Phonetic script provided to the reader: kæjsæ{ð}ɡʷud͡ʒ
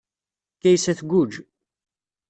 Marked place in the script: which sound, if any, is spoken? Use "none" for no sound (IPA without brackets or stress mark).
θ